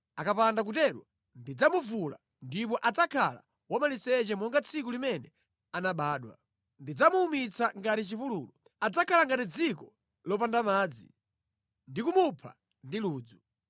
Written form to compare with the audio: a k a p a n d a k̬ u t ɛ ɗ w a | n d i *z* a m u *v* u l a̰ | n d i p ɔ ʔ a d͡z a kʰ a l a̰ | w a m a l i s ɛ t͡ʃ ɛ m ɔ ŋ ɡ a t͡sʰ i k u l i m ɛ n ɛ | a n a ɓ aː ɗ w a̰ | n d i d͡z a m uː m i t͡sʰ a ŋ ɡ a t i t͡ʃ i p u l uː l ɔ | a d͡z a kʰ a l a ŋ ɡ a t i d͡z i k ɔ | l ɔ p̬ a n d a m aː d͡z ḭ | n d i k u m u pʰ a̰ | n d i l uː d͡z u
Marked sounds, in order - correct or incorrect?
incorrect: d͡z, correct

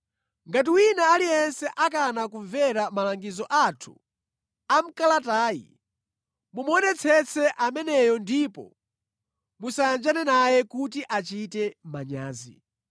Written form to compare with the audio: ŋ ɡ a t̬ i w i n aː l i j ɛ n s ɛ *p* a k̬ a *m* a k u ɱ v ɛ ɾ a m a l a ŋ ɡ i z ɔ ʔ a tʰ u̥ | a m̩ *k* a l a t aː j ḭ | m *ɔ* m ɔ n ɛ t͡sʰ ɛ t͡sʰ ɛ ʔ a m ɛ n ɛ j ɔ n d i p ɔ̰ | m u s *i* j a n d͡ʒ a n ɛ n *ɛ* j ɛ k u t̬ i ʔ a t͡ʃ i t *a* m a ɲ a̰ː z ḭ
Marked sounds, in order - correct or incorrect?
incorrect: ʔ, incorrect: n, correct, incorrect: u, incorrect: a, incorrect: a, incorrect: ɛ

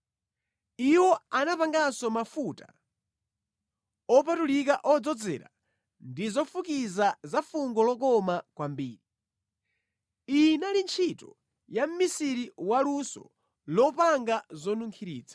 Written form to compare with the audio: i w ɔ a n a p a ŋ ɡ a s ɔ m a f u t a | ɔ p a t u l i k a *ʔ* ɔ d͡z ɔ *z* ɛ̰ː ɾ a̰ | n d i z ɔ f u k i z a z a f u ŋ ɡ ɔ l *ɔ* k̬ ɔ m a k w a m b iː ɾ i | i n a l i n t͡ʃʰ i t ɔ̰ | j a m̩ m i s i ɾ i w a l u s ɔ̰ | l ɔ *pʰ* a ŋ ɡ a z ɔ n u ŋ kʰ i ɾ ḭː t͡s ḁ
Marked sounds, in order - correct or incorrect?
correct, incorrect: d͡z, correct, incorrect: p

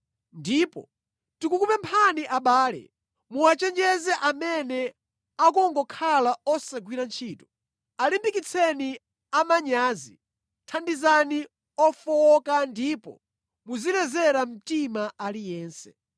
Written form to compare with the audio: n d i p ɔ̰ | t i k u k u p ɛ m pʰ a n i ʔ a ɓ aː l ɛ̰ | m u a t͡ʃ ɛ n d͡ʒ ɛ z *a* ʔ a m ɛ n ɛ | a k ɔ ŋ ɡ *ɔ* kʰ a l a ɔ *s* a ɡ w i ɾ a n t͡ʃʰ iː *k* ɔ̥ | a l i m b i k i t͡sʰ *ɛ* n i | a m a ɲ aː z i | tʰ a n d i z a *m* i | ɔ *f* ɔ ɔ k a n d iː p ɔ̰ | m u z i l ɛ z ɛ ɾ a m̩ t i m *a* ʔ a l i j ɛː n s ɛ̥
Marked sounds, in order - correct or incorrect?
incorrect: ɛ, correct, correct, incorrect: t, correct, incorrect: n, correct, correct

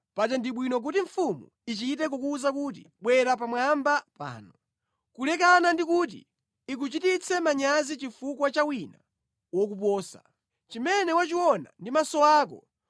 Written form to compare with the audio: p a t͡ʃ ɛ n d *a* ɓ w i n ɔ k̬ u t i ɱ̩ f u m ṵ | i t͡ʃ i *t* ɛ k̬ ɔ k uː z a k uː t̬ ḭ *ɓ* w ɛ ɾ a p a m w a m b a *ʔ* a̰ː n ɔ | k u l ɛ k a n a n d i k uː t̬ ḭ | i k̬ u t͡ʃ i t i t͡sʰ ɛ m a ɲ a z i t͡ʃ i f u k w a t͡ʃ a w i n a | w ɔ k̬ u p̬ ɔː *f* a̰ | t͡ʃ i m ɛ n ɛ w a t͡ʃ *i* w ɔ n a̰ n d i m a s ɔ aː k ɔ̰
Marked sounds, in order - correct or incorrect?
incorrect: i, correct, correct, incorrect: p, incorrect: s, correct

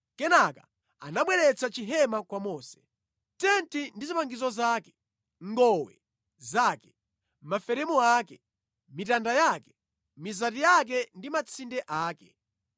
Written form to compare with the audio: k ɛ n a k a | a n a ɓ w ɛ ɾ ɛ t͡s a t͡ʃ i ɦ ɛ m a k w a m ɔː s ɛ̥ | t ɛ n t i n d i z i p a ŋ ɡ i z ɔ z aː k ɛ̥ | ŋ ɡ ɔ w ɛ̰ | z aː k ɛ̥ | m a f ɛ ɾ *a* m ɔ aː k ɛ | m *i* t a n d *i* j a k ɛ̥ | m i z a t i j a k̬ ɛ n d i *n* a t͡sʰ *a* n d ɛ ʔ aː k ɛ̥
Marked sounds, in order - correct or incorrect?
incorrect: ɛ, correct, incorrect: a, incorrect: m, incorrect: i

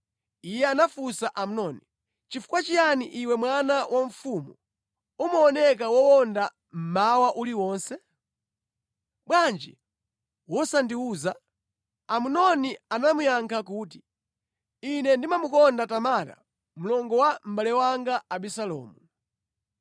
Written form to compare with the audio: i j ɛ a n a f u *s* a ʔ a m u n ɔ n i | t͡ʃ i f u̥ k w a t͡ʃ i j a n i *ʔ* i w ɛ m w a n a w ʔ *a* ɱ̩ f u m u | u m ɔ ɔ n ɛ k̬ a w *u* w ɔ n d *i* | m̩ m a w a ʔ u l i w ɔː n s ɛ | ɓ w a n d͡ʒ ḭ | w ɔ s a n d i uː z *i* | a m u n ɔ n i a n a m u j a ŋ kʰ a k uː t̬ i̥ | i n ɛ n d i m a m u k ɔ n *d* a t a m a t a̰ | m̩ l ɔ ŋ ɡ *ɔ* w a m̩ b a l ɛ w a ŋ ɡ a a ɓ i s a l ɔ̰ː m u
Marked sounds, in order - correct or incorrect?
correct, correct, correct, incorrect: ɔ, incorrect: a, incorrect: a, correct, correct

